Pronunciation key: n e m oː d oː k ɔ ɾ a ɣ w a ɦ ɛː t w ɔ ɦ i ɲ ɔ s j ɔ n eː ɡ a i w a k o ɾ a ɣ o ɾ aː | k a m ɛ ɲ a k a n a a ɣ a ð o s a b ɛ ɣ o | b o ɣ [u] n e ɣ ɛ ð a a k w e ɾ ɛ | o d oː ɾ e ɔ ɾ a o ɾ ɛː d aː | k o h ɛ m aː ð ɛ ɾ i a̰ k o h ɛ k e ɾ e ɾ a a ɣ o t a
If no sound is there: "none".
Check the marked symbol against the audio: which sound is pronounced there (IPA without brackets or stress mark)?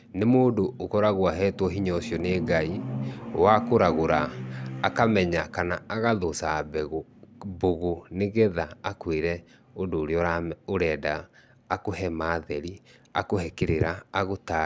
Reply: o